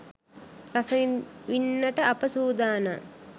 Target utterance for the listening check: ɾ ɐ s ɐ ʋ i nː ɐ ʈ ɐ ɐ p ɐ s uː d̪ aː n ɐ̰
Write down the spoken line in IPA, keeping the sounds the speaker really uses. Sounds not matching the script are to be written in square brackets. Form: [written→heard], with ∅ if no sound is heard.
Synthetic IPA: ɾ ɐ s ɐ ʋ i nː ɐ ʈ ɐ ɐ p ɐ s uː d̪ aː n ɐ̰